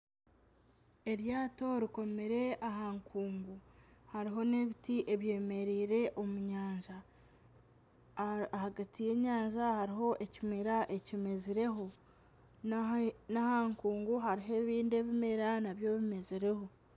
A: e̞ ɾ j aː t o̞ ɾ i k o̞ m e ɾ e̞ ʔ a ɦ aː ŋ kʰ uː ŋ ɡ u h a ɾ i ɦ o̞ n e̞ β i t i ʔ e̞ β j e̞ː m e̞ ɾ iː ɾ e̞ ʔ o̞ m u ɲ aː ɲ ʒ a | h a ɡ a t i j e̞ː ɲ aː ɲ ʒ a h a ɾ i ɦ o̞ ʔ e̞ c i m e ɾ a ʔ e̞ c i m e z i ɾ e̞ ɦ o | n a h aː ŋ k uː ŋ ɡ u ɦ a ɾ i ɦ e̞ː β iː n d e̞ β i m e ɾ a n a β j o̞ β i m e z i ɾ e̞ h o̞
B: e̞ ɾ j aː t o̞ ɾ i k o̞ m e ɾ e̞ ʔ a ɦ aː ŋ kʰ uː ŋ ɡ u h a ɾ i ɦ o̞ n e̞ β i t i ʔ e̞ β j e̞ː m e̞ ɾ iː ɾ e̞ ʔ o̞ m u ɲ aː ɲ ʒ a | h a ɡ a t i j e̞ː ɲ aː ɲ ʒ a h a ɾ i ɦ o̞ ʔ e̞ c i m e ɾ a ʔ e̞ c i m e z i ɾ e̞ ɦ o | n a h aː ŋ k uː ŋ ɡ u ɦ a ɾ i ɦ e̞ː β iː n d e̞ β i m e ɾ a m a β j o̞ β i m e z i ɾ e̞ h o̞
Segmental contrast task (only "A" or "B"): A